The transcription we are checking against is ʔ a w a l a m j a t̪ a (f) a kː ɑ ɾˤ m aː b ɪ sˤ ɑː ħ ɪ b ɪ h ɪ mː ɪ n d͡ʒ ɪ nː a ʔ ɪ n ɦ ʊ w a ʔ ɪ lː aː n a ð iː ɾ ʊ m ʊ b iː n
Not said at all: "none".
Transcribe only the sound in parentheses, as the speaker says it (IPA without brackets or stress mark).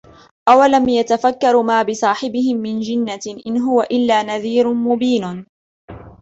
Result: f